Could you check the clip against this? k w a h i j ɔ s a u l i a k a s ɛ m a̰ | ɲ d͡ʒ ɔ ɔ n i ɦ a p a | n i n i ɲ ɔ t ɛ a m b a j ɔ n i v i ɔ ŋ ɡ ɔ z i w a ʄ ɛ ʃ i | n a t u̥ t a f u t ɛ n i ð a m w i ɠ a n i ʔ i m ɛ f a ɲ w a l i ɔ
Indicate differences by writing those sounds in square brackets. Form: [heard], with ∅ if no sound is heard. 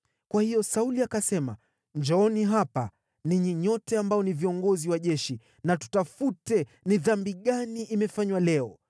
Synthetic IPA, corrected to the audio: k w a h i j ɔ s a u l i a k a s ɛ m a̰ | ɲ d͡ʒ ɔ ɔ n i ɦ a p a | n i [ɲ] i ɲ ɔ t ɛ a m b a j ɔ n i v i ɔ ŋ ɡ ɔ z i w a ʄ ɛ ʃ i | n a t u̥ t a f u t ɛ n i ð a m [b] i ɠ a n i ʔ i m ɛ f a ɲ w a l [ɛ] ɔ